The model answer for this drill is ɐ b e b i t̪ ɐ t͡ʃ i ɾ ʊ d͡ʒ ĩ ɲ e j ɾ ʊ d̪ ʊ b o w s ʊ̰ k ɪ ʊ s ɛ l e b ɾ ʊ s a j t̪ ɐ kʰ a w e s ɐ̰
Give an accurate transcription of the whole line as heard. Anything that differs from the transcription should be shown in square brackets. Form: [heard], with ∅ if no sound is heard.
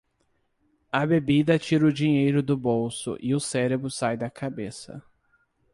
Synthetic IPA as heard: ɐ b e b i [d̪] ɐ t͡ʃ i ɾ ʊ d͡ʒ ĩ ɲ e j ɾ ʊ d̪ ʊ b o w s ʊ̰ [ʔ] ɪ ʊ s ɛ [ɾ] e b ɾ ʊ s a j [d̪] ɐ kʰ a [b] e s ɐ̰

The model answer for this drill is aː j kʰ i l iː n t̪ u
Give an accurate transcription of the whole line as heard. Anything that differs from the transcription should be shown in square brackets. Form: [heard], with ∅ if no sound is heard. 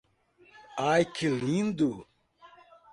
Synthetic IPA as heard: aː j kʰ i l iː n [d̪] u

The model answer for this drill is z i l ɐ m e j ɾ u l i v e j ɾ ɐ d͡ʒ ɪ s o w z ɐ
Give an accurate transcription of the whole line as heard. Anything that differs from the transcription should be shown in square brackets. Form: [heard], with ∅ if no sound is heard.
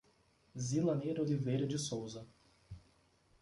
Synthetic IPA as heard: z i l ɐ [n] e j ɾ [o] l i v e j ɾ ɐ d͡ʒ ɪ s o w z ɐ

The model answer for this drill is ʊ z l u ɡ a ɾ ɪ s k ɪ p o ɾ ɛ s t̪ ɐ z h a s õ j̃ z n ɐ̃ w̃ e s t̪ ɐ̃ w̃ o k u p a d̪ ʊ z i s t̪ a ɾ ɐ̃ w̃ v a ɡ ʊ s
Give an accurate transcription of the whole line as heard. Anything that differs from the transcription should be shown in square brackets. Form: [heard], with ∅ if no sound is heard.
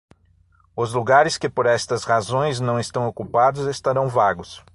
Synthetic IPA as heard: ʊ z l u ɡ a ɾ ɪ s k ɪ p o ɾ ɛ s t̪ ɐ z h a [z] õ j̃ z n ɐ̃ w̃ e s t̪ ɐ̃ w̃ o k u p a d̪ ʊ z [e] s t̪ a ɾ ɐ̃ w̃ v a ɡ ʊ s

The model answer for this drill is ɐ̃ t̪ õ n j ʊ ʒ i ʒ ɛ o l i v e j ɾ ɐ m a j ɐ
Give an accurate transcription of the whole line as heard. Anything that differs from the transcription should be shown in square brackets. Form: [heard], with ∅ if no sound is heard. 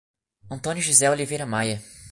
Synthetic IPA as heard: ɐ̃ t̪ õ n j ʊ ʒ i [z] ɛ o l i v e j ɾ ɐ m a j ɐ

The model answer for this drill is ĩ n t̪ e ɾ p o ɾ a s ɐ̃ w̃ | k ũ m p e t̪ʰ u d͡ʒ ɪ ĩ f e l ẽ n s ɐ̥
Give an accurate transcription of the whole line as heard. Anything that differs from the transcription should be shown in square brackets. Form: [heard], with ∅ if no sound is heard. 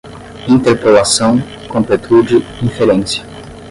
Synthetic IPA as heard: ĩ n t̪ e ɾ p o [l] a s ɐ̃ w̃ | k [õ] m p e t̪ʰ u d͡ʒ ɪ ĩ f e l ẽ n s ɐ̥

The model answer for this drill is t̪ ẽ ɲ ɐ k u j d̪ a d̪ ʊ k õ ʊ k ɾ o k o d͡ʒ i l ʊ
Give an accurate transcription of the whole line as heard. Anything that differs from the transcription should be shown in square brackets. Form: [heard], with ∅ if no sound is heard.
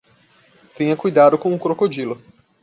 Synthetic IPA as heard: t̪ ẽ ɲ ɐ k u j d̪ a d̪ ʊ k õ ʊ k ɾ o k o d͡ʒ i l ʊ

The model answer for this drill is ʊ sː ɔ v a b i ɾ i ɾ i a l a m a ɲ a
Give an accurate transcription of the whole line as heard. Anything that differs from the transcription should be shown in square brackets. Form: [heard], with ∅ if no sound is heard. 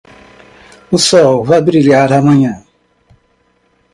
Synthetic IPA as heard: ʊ [s] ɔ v a b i ɾ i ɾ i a [ɾ] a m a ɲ a

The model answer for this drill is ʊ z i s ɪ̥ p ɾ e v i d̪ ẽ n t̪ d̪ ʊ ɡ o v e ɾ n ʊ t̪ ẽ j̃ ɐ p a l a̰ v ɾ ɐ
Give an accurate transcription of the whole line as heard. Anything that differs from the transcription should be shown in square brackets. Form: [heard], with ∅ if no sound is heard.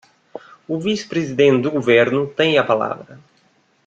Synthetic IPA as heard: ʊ [v] i s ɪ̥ p ɾ e [z] i d̪ ẽ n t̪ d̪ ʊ ɡ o v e ɾ n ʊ t̪ ẽ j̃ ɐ p a l a̰ v ɾ ɐ

